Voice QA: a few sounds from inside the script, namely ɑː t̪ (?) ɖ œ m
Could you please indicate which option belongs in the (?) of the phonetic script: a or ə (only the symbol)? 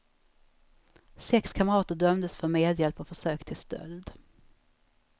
ə